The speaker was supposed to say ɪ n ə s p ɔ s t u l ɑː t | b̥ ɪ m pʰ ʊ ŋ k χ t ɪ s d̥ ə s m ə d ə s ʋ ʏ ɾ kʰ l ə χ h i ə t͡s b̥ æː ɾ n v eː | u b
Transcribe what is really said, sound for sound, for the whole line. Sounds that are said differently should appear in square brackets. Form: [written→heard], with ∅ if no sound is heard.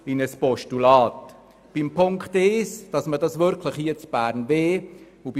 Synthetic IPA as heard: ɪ n ə s p ɔ [s→ʃ] t u l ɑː t | b̥ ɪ m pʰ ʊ ŋ k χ t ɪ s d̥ [ə→ɑ] s m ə d [ə→ɑ] s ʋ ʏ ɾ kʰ l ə χ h i ə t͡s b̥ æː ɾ n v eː | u b